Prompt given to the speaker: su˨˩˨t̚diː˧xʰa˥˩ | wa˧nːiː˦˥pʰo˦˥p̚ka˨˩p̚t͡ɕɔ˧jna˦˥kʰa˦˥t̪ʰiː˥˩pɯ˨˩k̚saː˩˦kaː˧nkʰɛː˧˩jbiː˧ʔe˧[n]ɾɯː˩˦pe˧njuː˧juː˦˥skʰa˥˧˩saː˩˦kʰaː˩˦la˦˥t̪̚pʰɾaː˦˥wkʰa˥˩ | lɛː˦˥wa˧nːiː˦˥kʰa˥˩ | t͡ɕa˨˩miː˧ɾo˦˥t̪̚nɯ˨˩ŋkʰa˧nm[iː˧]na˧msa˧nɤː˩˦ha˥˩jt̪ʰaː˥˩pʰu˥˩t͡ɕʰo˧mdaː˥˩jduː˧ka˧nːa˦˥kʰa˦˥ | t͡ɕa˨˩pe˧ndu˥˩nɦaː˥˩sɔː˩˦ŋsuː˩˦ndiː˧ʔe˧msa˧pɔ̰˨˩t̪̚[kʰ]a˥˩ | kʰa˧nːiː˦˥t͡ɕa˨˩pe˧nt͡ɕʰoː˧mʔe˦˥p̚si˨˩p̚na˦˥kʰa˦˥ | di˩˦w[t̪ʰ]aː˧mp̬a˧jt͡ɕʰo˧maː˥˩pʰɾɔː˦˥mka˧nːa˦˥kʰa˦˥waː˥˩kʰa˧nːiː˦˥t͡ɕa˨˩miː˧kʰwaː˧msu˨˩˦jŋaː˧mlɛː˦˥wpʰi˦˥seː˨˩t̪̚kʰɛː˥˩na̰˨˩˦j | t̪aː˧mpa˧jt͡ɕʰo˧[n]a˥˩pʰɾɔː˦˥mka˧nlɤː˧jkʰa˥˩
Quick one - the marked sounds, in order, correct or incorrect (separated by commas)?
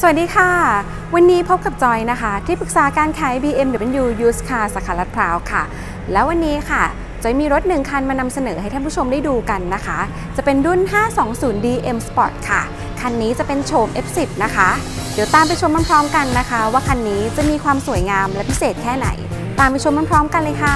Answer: incorrect, incorrect, correct, incorrect, incorrect